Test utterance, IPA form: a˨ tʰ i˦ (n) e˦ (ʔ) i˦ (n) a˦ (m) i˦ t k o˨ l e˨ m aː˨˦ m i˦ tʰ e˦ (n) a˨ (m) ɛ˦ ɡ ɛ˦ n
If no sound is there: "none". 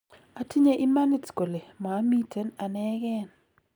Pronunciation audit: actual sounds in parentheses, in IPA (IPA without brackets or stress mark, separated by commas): ɲ, ʔ, m, n, n, n